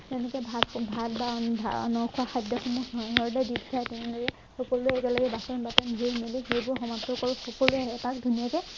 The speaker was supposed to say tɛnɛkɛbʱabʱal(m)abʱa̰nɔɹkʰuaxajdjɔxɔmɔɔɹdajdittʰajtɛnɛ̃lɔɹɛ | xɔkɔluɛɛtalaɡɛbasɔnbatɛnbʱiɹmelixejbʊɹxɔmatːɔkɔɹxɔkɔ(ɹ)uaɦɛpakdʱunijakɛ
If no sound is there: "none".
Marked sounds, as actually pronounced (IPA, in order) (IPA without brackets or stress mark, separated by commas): b, l